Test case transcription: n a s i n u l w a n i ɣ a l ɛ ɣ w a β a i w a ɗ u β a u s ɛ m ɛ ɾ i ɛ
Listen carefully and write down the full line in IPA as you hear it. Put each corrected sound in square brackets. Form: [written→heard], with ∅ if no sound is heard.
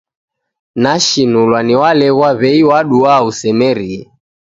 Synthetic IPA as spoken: n a [s→ʃ] i n u l w a n i [ɣ→w] a l ɛ ɣ w a β [a→ɛ] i w a ɗ u [β→∅] a u s ɛ m ɛ ɾ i ɛ